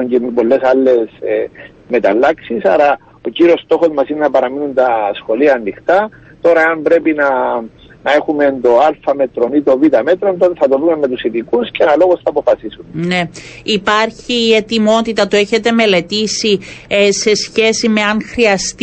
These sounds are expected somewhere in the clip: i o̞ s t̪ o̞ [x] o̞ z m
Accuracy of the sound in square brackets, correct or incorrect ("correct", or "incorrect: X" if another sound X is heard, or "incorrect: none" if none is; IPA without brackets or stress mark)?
correct